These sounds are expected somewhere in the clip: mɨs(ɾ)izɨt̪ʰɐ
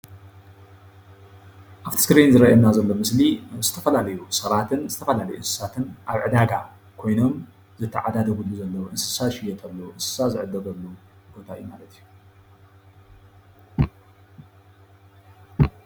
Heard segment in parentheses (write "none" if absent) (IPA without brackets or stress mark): l